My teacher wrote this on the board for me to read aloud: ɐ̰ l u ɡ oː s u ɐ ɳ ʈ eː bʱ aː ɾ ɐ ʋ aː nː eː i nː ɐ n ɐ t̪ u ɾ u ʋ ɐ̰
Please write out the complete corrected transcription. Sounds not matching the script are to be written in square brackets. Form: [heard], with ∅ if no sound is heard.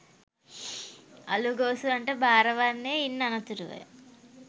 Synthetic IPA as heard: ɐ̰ l u ɡ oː s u ɐ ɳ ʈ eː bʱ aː ɾ ɐ ʋ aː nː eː i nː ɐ n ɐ t̪ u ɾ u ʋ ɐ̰